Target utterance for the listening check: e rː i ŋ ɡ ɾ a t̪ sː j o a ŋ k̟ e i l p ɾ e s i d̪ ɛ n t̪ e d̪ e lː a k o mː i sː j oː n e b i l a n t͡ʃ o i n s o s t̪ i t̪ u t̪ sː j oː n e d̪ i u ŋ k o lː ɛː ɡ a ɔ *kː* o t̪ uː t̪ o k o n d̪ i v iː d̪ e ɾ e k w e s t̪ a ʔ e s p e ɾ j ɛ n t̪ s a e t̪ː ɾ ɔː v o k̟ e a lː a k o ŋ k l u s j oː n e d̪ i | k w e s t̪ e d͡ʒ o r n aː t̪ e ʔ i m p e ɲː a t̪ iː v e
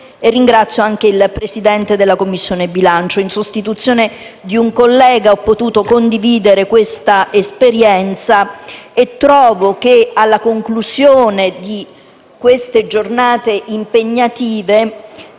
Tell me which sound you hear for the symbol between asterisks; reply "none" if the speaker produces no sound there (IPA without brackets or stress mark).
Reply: pː